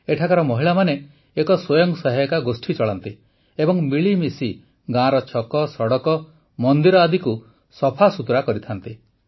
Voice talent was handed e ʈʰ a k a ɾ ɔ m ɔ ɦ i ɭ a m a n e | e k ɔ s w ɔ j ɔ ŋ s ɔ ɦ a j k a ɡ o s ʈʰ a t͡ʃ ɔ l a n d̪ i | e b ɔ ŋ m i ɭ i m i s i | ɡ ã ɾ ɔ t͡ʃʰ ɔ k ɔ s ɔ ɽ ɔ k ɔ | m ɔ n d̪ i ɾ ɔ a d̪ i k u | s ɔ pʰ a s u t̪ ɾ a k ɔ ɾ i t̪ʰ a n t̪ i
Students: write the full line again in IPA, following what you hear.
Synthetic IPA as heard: e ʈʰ a k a ɾ ɔ m ɔ ɦ i ɭ a m a n e | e k ɔ s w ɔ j ɔ ŋ s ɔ ɦ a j k a ɡ o s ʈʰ i t͡ʃ ɔ ɭ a n t̪ i | e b ɔ ŋ m i ɭ i m i s i | ɡ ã ɾ ɔ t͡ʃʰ ɔ k ɔ s ɔ ɽ ɔ k ɔ | m ɔ n d̪ i ɾ ɔ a d̪ i k u | s ɔ pʰ a s u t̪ ɾ a k ɔ ɾ i t̪ʰ a n t̪ i